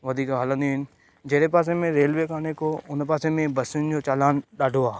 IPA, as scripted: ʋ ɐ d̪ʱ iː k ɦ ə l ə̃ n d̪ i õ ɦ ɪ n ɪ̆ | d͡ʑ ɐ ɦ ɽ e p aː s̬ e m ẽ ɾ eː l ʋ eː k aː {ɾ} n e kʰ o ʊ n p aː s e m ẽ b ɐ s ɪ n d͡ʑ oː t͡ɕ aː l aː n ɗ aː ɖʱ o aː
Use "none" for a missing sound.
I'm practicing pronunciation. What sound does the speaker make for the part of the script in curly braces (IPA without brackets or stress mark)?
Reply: none